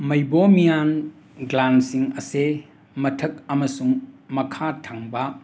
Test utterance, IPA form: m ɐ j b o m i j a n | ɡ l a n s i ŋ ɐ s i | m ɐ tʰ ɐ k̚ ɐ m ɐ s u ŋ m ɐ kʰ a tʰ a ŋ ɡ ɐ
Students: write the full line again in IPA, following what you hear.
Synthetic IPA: m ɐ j b o m i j a n | ɡ l a n s i ŋ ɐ s e | m ɐ tʰ ɐ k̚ ɐ m ɐ s u ŋ m ɐ kʰ a tʰ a ŋ b ɐ

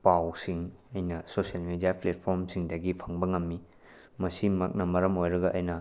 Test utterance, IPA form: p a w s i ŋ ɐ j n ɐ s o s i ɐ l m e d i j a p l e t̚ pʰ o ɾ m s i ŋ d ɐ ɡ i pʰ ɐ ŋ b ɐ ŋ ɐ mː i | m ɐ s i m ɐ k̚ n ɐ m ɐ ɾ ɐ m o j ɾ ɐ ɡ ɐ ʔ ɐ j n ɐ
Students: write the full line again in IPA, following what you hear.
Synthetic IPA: p a w s i ŋ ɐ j n ɐ s o s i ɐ l m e d i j a p l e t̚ pʰ o ɾ m s i ŋ d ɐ ɡ i pʰ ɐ ŋ b ɐ ŋ ɐ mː i | m ɐ s i m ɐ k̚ n ɐ m ɐ ɾ ɐ m o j ɾ ɐ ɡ ɐ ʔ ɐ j n ɐ

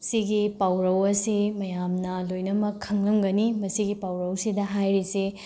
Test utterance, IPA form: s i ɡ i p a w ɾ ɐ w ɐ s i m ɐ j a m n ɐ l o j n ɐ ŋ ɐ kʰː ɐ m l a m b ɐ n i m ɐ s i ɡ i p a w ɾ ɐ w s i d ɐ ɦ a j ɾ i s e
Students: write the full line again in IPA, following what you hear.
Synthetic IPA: s i ɡ i p a w ɾ ɐ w ɐ s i m ɐ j a m n ɐ l o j n ɐ m ɐ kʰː ɐ ŋ l ɐ m ɡ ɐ n i m ɐ s i ɡ i p a w ɾ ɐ w s i d ɐ ɦ a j ɾ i s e

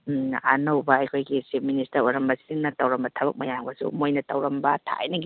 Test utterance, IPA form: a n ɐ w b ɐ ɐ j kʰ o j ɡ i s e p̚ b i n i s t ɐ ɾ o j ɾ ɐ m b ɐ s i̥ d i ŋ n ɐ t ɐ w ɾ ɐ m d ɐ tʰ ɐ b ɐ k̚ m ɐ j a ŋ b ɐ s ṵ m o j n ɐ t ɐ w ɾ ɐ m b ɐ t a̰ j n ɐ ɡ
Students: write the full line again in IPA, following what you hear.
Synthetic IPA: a n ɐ w b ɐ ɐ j kʰ o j ɡ i s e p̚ m i n i s t ɐ ɾ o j ɾ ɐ m b ɐ s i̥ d i ŋ n ɐ t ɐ w ɾ ɐ m b ɐ tʰ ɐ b ɐ k̚ m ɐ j a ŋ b ɐ s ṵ m o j n ɐ t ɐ w ɾ ɐ m b ɐ tʰ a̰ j n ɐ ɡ

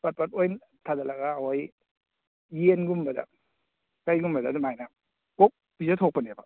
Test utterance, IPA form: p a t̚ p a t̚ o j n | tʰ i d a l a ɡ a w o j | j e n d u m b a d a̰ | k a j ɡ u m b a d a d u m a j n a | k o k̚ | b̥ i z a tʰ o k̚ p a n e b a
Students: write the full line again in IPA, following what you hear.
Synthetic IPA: p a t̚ p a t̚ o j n | tʰ a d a l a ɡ a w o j | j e n ɡ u m b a d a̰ | k a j ɡ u m b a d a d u m a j n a | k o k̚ | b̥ i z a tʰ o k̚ p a n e b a

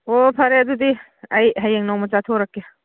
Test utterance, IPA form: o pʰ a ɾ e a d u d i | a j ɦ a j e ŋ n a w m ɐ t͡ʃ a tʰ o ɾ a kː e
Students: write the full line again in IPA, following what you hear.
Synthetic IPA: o pʰ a ɾ e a d u d i | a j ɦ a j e ŋ n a w m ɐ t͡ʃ a tʰ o ɾ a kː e

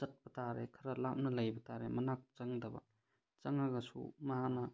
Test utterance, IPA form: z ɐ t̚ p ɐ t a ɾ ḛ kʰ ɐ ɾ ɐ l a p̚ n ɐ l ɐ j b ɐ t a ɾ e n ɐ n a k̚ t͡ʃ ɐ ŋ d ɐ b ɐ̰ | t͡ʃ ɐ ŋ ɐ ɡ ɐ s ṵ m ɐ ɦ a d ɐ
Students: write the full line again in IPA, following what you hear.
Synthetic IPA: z ɐ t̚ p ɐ t a ɾ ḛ kʰ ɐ ɾ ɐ l a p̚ n ɐ l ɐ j b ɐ t a ɾ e m ɐ n a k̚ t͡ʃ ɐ ŋ d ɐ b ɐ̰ | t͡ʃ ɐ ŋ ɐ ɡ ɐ s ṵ m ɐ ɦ a n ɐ

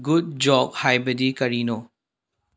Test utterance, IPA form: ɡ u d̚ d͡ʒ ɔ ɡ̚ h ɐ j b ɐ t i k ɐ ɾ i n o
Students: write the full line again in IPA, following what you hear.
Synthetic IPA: ɡ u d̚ d͡ʒ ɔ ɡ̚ h a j b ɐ d i k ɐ ɾ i n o

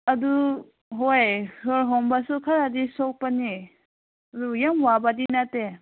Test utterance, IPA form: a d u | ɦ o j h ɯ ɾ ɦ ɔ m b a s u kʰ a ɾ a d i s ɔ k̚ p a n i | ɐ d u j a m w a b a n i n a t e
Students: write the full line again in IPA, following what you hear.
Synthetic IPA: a d u | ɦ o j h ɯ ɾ ɦ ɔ m b a s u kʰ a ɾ a d i s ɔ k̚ p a n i | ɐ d u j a m w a b a d i n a t e

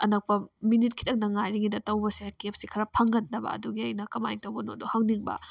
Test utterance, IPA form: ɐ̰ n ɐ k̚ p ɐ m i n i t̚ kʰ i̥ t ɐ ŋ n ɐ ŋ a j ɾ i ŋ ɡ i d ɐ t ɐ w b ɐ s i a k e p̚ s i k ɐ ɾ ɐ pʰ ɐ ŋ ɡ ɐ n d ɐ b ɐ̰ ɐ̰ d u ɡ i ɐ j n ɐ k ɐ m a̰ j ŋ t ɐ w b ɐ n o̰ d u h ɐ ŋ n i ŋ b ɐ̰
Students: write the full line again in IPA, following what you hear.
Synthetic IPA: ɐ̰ n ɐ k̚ p ɐ m i n i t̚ kʰ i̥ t ɐ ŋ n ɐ ŋ a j ɾ i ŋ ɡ i d ɐ t ɐ w b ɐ s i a k e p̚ s i kʰ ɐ ɾ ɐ pʰ ɐ ŋ ɡ ɐ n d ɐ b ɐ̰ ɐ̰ d u ɡ i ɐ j n ɐ k ɐ m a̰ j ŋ t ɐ w b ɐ n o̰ d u h ɐ ŋ n i ŋ b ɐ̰

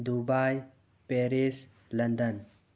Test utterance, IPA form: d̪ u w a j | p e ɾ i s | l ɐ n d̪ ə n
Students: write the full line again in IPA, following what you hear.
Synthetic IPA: d̪ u b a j | p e ɾ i s | l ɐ n d̪ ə n

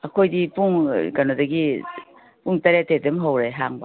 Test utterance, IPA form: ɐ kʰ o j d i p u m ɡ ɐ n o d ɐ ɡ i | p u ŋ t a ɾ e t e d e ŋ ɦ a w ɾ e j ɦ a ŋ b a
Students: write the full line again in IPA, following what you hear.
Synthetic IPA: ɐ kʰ o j d i p u ŋ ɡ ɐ n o d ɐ ɡ i | p u ŋ t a ɾ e t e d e m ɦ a w ɾ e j ɦ a ŋ b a

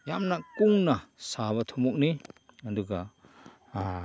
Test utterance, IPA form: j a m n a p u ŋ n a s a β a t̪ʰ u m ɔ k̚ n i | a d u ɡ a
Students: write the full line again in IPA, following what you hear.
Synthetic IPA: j a m n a k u ŋ n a s a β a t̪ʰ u m ɔ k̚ n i | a d u ɡ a

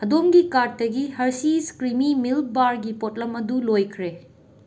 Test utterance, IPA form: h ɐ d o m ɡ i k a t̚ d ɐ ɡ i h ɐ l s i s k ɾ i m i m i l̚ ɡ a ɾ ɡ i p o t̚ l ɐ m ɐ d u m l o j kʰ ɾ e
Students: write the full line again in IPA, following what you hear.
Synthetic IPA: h ɐ d o m ɡ i k a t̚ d ɐ ɡ i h ɐ ɾ s i s k ɾ i m i m i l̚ b a ɾ ɡ i p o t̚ l ɐ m ɐ d u l o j kʰ ɾ e

